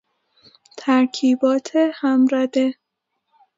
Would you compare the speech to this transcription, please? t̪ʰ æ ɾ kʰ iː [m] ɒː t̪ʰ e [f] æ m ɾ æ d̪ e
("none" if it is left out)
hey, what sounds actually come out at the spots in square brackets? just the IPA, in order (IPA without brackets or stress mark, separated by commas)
b, h